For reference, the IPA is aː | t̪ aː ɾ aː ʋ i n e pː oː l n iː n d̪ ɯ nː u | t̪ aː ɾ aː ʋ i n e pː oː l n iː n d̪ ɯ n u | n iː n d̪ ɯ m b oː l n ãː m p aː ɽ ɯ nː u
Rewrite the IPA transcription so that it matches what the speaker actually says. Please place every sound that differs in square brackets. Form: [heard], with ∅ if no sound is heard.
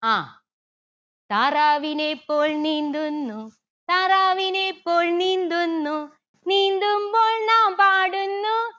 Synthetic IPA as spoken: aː | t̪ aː ɾ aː ʋ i n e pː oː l n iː n d̪ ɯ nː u | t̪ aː ɾ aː ʋ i n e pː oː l n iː n d̪ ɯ [nː] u | n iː n d̪ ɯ m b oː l n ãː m p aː ɽ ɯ nː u